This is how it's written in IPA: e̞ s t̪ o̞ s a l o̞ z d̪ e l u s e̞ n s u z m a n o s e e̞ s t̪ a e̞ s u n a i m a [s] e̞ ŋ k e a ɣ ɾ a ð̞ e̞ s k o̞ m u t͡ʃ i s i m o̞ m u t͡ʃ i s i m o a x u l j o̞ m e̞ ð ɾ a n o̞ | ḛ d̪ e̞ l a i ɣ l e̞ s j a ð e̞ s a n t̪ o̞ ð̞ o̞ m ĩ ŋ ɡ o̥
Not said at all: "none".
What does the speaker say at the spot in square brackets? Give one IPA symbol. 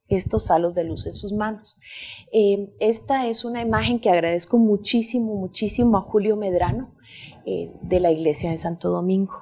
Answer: x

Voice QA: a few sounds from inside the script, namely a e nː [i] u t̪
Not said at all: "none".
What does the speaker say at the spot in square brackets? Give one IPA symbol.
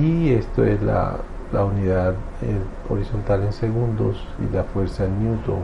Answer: j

